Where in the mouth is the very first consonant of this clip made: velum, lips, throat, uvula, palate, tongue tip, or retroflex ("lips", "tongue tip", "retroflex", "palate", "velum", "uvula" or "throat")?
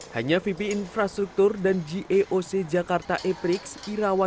throat